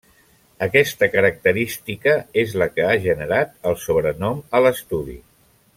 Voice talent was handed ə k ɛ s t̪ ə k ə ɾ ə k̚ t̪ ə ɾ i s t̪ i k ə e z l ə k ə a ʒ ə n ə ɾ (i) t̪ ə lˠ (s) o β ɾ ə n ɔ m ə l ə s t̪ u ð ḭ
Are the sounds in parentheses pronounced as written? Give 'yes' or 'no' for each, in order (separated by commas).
no, yes